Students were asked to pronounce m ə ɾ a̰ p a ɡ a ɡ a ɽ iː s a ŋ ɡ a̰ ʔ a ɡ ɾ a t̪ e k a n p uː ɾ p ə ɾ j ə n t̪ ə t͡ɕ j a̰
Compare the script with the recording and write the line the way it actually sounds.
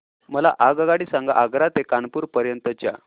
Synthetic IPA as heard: m ə l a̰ ʔ a ɡ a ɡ a ɽ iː s a ŋ ɡ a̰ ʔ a ɡ ɾ a t̪ e k a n p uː ɾ p ə ɾ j ə n t̪ ə t͡ɕ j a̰